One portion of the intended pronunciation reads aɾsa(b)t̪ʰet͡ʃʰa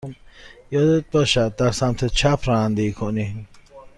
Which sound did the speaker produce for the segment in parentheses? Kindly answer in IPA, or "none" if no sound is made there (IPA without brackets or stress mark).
m